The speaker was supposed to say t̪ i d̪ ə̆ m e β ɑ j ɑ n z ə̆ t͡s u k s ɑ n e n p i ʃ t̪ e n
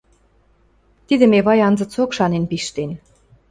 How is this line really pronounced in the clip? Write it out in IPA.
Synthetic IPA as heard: t̪ i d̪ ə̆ m e β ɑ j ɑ n z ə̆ t͡s o k ʃ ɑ n e n p i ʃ t̪ e n